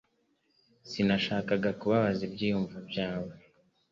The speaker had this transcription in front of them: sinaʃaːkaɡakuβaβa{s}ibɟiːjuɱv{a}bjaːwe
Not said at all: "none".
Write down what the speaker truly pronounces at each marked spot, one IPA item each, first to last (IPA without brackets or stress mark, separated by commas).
z, a